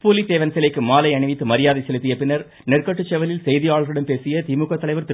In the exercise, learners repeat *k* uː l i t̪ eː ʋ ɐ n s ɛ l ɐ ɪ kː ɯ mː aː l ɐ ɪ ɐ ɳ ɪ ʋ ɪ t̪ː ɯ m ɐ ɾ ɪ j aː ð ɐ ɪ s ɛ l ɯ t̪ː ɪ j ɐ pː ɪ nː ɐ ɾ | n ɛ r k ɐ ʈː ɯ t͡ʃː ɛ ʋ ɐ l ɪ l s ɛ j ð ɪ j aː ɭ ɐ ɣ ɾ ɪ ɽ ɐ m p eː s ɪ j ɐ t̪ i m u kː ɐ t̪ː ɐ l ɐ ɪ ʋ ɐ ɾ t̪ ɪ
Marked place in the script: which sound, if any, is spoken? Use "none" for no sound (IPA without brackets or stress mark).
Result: p